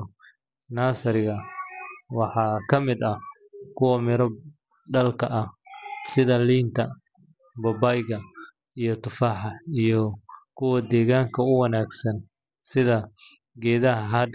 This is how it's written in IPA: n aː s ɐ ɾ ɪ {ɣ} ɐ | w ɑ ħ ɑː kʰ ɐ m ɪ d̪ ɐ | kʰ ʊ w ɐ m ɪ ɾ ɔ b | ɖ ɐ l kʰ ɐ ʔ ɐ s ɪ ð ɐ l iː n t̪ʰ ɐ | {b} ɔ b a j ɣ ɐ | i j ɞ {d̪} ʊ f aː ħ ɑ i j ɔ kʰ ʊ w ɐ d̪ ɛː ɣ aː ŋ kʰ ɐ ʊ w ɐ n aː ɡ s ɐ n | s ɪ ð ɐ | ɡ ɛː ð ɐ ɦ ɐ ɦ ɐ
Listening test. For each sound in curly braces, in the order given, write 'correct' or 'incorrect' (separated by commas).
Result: correct, correct, incorrect